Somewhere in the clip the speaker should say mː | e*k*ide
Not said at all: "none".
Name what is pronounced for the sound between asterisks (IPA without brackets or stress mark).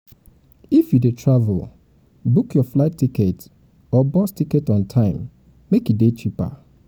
k